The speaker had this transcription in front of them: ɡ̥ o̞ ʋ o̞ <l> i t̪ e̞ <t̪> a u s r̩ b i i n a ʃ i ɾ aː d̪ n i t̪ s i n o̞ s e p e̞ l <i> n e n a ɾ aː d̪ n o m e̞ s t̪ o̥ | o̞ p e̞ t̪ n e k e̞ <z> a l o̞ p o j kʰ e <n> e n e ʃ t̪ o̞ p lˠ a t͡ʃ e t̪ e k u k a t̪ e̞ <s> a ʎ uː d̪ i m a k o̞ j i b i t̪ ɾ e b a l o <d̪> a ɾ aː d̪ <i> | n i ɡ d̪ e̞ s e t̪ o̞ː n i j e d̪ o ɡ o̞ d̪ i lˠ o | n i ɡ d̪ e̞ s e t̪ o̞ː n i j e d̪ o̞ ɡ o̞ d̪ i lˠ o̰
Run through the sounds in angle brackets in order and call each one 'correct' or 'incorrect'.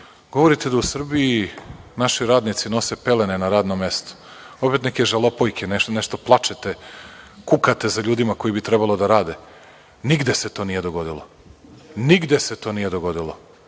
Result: incorrect: ɾ, incorrect: d̪, incorrect: e, incorrect: ʒ, correct, incorrect: z, correct, incorrect: e

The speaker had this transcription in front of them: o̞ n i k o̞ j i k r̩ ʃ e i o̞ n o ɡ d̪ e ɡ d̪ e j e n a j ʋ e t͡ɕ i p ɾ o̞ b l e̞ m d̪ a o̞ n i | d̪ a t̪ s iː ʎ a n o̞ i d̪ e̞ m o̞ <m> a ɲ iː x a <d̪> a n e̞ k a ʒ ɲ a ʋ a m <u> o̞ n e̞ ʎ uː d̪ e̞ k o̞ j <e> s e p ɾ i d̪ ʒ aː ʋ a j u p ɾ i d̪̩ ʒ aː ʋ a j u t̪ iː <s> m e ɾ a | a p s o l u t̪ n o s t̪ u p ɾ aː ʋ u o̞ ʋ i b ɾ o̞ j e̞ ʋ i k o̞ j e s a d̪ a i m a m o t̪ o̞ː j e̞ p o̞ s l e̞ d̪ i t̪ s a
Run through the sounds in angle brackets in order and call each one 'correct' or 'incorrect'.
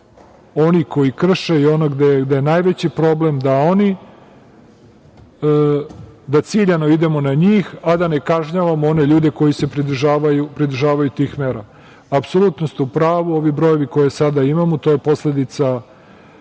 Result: incorrect: n, correct, incorrect: o, incorrect: i, incorrect: x

